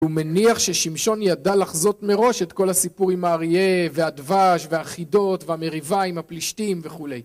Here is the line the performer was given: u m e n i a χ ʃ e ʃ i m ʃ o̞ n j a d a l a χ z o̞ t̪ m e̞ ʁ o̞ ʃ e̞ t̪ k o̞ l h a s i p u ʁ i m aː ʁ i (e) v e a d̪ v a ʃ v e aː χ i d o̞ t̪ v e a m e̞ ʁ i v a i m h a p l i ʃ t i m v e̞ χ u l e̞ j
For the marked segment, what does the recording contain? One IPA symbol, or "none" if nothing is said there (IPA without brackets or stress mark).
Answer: e